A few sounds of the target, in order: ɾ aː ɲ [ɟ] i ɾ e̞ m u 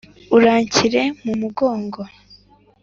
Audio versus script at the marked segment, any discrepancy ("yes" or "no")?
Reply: yes